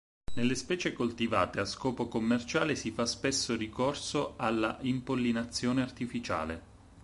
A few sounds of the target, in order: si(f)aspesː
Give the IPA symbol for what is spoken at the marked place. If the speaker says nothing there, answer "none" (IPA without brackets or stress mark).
f